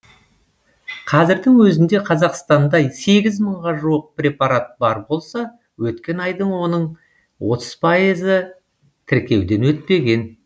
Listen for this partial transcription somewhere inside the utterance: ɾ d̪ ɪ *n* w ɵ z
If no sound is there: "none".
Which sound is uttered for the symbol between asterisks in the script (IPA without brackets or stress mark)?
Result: ŋ